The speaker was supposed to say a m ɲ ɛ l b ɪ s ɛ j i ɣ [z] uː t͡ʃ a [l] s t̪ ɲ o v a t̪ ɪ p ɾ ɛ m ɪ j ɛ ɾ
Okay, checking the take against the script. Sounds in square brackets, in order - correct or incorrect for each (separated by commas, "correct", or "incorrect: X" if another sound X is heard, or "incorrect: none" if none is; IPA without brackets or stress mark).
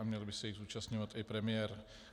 correct, incorrect: none